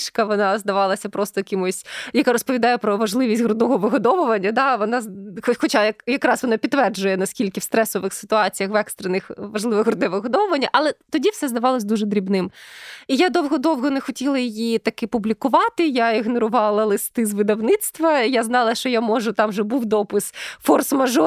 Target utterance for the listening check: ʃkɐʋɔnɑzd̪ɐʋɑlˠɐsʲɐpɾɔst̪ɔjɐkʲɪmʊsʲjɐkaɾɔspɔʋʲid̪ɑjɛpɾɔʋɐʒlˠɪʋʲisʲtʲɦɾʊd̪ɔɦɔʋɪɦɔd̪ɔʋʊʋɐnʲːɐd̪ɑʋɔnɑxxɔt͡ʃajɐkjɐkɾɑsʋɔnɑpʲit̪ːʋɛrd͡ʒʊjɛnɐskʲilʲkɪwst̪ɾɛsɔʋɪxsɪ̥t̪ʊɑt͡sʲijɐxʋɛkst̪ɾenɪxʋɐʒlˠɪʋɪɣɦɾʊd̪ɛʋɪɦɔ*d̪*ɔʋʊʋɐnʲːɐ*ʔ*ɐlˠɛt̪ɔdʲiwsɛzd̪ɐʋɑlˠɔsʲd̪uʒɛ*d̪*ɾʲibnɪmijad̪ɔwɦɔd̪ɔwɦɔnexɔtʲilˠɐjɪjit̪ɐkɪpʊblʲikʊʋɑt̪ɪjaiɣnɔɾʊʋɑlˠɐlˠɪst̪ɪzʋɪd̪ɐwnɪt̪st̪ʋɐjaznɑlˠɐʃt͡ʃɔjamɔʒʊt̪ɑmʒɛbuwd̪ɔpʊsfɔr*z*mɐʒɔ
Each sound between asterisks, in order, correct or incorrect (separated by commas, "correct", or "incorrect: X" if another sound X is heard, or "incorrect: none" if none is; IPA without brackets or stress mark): correct, correct, correct, incorrect: s